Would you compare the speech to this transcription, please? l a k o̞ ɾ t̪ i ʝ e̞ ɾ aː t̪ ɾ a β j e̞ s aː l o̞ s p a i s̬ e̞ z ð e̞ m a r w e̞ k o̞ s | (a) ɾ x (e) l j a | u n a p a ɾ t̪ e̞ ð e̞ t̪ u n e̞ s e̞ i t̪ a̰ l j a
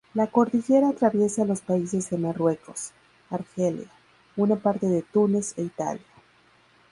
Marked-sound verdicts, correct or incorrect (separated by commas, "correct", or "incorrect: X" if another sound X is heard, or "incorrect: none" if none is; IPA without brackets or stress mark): correct, correct